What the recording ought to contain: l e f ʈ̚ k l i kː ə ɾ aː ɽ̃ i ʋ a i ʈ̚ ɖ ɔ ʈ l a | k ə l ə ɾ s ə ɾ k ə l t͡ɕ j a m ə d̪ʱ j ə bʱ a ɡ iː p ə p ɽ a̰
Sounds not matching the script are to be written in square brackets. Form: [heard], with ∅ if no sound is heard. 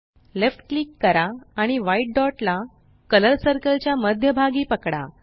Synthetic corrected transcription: l e f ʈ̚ k l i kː ə ɾ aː ɽ̃ i ʋ a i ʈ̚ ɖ ɔ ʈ l a | k ə l ə ɾ s ə ɾ k ə l t͡ɕ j a m ə d̪ʱ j ə bʱ a ɡ iː p ə [k] ɽ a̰